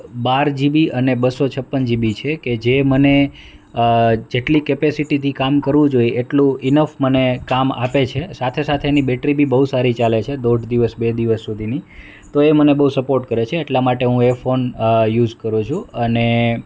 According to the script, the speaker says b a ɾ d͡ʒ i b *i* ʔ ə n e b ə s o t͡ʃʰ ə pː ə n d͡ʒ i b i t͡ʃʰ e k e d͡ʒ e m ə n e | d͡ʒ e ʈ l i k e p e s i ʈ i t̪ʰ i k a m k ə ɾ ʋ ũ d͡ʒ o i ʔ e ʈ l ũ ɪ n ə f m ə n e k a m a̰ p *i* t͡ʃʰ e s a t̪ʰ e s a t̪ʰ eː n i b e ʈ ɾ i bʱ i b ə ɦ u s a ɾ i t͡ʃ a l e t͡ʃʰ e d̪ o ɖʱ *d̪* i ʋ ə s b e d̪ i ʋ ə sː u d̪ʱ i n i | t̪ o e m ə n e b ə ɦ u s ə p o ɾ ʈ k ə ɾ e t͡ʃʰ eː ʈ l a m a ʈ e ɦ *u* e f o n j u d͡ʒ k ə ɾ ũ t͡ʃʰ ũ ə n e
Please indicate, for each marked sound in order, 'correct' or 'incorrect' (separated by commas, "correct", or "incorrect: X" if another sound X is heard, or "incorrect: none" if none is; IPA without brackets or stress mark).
correct, incorrect: e, correct, incorrect: ũ